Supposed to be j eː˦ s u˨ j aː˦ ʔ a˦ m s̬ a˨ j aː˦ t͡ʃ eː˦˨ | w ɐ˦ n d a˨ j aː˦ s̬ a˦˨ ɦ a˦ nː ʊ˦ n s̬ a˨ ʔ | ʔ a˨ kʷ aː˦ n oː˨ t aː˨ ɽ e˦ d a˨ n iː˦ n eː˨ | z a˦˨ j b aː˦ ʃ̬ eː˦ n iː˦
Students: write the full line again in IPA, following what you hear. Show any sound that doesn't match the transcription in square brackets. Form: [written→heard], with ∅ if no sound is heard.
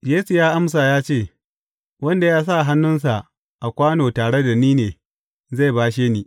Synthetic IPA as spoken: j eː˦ s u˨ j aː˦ ʔ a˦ m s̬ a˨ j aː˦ t͡ʃ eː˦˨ | w ɐ˦ n d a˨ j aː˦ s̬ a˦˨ ɦ a˦ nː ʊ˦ n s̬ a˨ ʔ | ʔ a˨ kʷ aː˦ n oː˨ t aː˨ ɽ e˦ d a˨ n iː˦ n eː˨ | z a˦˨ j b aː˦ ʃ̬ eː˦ n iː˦